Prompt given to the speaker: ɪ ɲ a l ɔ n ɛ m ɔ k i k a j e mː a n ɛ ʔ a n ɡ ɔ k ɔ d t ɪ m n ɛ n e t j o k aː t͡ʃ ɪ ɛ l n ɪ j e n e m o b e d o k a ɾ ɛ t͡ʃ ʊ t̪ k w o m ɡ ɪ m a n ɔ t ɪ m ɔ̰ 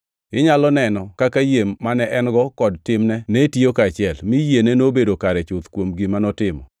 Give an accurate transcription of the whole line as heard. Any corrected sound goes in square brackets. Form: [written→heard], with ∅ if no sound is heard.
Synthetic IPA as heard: ɪ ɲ a l ɔ n ɛ [m→n] ɔ k [i→a] k a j e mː a n ɛ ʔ [a→ɛ] n ɡ ɔ k ɔ d t ɪ m n ɛ n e t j o k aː t͡ʃ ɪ ɛ l [n→m] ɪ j e n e [m→n] o b e d o k a ɾ ɛ t͡ʃ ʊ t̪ k w o m ɡ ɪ m a n ɔ t ɪ m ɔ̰